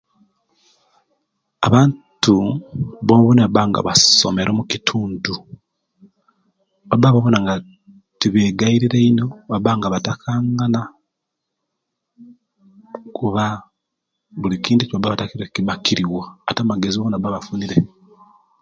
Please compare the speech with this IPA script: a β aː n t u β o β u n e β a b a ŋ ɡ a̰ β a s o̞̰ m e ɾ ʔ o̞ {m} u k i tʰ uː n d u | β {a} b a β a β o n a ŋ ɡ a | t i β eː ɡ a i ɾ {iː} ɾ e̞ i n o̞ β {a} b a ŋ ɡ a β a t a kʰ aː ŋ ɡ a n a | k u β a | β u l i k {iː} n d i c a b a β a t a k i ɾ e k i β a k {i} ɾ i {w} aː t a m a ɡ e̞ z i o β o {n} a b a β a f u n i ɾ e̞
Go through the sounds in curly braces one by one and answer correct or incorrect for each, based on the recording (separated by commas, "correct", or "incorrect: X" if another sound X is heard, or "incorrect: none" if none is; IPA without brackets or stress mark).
correct, correct, incorrect: i, correct, correct, correct, correct, correct